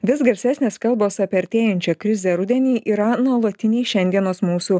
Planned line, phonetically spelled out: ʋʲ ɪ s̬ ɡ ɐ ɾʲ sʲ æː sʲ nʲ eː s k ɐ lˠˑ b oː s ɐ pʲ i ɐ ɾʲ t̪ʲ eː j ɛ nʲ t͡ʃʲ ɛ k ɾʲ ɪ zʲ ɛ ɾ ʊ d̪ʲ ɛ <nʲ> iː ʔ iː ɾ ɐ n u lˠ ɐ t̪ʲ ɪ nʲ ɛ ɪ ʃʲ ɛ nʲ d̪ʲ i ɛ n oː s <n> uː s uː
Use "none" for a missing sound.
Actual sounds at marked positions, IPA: nʲ, m

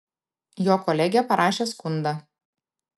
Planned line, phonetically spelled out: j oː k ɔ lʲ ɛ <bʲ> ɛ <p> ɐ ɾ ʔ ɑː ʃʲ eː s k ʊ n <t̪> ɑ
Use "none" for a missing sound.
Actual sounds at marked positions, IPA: ɡʲ, p, d̪

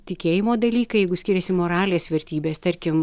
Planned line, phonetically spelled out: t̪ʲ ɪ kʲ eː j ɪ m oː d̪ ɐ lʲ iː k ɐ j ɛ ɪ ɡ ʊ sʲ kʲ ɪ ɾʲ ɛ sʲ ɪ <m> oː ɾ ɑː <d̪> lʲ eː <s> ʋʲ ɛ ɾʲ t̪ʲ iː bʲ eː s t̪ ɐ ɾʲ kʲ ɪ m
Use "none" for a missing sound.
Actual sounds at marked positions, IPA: m, none, s

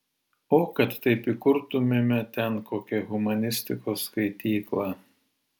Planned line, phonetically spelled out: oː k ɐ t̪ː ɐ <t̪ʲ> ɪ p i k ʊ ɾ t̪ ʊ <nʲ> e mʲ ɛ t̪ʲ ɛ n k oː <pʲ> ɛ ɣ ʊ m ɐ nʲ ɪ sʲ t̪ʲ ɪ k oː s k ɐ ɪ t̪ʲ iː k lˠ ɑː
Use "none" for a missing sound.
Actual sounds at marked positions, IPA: none, mʲ, kʲ

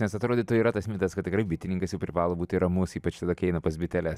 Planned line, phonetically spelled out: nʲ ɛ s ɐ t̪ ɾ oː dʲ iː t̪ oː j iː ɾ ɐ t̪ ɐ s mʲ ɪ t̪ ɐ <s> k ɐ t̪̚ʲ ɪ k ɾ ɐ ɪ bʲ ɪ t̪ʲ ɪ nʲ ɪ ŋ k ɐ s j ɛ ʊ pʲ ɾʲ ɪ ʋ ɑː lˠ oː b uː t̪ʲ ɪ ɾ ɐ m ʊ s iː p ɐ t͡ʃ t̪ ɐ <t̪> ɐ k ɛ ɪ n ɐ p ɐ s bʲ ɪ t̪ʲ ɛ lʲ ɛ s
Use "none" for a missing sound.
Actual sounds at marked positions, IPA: s, d̪

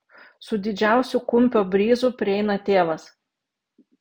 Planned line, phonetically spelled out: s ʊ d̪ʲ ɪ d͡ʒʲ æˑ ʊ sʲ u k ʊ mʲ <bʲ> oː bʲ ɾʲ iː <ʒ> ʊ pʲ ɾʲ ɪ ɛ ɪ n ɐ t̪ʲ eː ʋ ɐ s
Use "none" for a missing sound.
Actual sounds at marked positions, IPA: pʲ, z

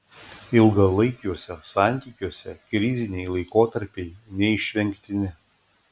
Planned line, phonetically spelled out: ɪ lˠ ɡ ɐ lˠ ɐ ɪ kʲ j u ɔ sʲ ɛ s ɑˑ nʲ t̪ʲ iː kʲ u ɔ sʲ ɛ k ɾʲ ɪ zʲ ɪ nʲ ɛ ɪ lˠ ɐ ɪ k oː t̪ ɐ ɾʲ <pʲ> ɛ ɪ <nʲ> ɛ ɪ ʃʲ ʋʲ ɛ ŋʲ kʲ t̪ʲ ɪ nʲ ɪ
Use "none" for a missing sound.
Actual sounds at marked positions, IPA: pʲ, nʲ

